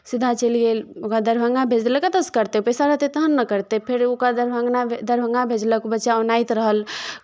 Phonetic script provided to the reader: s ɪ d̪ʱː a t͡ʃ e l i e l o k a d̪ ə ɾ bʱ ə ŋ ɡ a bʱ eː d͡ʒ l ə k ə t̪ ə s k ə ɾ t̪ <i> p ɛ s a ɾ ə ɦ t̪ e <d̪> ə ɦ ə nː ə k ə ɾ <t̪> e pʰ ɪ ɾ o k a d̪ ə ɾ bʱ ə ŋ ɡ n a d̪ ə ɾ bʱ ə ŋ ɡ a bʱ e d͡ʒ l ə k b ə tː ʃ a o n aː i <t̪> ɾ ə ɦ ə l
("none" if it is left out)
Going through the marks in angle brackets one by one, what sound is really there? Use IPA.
e, t̪, t̪, t̪

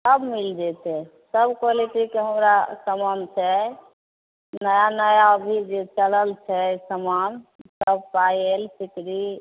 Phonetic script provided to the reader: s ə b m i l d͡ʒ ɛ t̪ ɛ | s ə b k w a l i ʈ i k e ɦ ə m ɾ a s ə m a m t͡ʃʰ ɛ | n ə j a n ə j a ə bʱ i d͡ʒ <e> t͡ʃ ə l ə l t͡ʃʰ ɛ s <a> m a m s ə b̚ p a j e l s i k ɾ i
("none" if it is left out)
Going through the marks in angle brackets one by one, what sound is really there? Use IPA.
e, ə

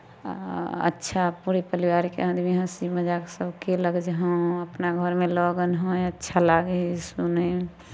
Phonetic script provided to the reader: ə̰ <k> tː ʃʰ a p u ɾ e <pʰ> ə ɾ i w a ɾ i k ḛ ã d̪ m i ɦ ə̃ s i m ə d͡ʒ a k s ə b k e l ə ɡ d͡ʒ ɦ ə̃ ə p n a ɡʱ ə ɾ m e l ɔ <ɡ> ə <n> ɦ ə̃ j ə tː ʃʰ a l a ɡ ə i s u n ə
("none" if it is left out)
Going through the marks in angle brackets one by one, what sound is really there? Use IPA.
none, p, ɡ, n

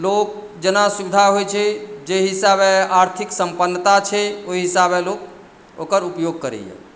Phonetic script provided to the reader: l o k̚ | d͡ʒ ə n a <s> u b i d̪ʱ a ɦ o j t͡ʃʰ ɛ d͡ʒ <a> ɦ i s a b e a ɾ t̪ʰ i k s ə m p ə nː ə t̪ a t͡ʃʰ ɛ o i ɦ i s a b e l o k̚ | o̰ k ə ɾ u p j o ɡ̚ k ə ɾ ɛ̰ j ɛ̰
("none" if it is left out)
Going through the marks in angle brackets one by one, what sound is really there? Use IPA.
s, e

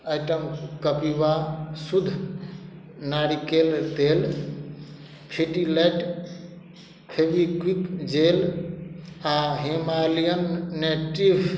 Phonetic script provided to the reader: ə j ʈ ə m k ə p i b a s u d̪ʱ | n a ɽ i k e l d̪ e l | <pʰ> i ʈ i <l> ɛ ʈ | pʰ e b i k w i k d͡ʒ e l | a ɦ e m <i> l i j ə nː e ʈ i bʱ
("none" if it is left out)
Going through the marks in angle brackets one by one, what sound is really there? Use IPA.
pʰ, l, a

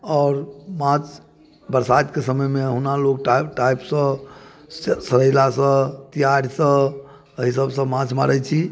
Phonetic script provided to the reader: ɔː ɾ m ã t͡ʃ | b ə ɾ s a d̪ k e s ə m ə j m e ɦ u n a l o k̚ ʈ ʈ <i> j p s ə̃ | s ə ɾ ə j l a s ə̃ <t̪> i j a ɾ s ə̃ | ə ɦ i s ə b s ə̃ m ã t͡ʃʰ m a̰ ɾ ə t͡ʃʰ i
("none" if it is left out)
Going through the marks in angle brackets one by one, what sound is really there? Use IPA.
a, t̪

